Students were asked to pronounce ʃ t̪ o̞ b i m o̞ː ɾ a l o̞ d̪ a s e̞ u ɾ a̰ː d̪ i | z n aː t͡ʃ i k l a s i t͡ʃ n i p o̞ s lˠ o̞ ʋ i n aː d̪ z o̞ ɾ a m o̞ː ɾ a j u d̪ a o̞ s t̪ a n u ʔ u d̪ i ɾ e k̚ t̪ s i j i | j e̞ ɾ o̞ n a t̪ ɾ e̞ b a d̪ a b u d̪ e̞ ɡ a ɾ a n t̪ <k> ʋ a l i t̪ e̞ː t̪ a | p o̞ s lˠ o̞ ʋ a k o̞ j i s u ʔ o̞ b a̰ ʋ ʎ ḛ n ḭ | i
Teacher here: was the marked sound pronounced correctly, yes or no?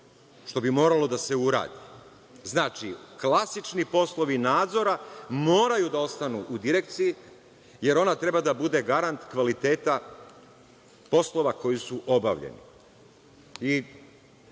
yes